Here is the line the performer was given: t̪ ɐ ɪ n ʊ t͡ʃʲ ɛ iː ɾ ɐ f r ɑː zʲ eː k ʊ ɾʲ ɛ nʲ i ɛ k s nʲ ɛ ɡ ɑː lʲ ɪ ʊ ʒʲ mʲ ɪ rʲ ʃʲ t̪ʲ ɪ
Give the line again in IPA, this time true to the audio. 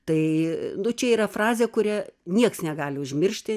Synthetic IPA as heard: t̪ ɐ ɪ n ʊ t͡ʃʲ ɛ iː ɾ ɐ f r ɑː zʲ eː k ʊ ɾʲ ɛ nʲ i ɛ k s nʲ ɛ ɡ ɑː lʲ ɪ ʊ ʒʲ mʲ ɪ rʲ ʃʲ t̪ʲ ɪ